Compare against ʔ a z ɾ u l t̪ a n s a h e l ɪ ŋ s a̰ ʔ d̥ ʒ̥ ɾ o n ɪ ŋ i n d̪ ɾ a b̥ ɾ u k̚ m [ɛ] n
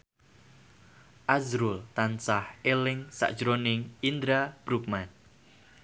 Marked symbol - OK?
no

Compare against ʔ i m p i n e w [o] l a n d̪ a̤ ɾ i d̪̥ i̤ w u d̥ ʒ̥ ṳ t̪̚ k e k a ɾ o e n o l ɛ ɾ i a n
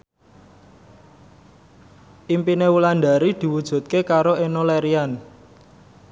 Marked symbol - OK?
no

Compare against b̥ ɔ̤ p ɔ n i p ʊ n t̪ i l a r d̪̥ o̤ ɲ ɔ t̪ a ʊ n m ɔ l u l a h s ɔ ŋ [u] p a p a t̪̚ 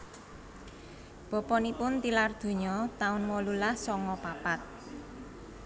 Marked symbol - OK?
no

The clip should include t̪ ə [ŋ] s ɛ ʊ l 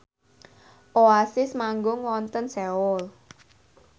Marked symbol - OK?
no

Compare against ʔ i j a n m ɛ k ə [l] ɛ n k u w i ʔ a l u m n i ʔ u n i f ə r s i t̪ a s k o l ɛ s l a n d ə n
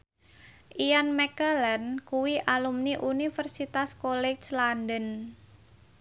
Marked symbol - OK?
yes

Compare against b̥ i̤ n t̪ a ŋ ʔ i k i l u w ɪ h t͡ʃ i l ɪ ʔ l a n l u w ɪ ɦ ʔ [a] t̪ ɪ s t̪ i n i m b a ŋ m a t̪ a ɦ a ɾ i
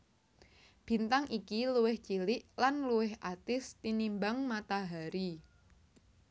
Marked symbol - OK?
yes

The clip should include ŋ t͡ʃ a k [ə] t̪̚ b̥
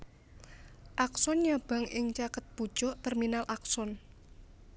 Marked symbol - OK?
yes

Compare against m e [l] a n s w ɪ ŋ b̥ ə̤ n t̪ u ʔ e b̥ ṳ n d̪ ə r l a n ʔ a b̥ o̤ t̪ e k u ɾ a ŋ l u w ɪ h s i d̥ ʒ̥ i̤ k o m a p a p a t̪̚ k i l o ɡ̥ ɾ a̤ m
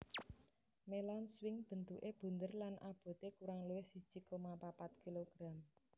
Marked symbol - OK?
yes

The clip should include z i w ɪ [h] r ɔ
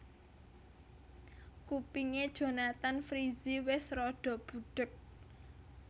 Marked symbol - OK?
no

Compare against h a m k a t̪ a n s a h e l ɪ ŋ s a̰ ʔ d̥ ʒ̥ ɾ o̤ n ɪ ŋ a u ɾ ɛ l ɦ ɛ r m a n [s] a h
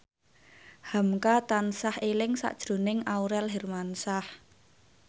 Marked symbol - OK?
yes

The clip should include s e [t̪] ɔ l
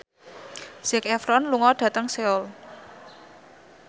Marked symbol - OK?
no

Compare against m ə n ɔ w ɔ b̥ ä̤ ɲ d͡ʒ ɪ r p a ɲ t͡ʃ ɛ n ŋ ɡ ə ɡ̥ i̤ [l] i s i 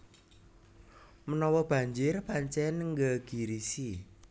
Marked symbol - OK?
no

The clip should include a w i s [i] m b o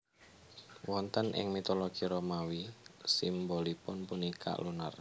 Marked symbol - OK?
yes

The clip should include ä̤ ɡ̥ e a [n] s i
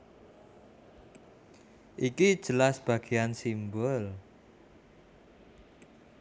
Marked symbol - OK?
yes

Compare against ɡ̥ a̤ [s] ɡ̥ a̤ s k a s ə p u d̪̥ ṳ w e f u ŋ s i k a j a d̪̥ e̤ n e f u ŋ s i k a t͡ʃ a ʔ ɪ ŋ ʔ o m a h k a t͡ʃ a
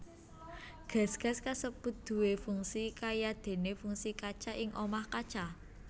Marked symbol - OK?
yes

